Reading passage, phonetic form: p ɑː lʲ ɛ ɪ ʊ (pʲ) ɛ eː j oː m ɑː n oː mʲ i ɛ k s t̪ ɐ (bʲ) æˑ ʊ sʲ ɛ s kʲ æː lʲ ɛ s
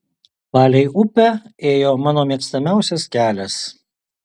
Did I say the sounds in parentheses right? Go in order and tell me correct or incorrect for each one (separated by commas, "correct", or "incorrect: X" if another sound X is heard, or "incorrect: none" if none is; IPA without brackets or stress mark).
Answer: correct, incorrect: mʲ